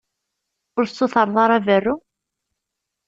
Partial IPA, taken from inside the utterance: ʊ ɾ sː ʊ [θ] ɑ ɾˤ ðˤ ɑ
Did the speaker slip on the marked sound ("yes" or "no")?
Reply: no